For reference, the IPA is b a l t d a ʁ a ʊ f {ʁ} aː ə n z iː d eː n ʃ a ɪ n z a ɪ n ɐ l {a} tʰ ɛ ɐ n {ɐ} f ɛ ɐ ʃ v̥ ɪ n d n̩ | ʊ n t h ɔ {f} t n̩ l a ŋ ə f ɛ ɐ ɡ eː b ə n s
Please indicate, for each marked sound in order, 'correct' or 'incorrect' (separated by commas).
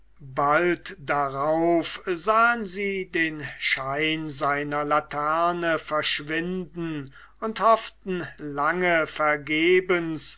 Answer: incorrect, correct, incorrect, correct